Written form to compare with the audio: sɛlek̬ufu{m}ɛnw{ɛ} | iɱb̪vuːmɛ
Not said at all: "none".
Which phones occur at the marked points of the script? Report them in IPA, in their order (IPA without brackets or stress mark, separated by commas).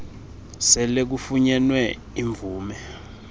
ɲ, ɛ